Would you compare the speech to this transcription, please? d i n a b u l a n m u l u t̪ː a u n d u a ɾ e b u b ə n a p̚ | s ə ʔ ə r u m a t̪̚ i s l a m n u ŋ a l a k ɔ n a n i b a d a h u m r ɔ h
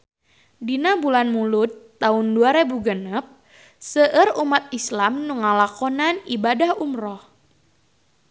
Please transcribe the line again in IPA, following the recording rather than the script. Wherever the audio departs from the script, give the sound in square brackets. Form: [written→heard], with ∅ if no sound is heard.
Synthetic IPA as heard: d i n a b u l a n m u l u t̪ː a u n d u a ɾ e b u [b→ɡ] ə n [a→ə] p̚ | s ə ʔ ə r u m a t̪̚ i s l a m n u ŋ a l a k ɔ n a n i b a d a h u m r ɔ h